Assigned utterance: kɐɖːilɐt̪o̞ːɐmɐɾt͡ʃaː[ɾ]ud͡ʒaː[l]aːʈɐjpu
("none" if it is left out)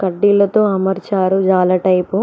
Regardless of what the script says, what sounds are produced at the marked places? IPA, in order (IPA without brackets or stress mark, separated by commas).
ɾ, l